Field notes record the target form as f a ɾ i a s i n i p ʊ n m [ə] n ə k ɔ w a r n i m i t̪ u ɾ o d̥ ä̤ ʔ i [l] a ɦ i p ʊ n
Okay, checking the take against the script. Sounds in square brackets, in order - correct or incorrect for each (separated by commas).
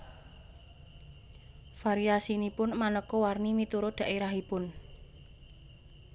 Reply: incorrect, incorrect